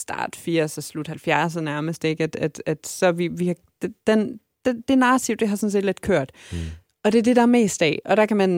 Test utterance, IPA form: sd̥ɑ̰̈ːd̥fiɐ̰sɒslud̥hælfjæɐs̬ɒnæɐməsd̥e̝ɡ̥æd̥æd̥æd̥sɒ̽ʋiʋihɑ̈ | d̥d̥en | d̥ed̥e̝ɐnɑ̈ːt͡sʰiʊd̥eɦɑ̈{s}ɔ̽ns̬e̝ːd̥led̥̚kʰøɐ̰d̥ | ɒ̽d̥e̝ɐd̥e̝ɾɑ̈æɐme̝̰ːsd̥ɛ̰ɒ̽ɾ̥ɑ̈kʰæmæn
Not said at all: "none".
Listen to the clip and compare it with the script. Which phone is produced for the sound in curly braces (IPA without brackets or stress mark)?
s